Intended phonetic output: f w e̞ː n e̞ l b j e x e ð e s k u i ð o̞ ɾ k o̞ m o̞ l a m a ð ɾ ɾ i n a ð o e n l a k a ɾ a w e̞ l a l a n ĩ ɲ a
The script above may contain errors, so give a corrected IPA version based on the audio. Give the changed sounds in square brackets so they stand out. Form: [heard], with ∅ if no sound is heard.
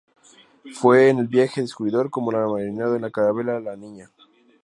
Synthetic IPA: f w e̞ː n e̞ l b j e x e ð e s k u i ð o̞ ɾ k o̞ m o̞ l a m a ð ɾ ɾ i n a ð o e n l a k a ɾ a [β] e̞ l a l a n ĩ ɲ a